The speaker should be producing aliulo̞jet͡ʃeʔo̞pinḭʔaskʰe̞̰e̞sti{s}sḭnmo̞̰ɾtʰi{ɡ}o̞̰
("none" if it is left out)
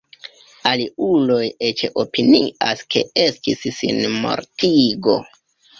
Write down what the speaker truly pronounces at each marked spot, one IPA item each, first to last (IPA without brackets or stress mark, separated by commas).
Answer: s, ɡ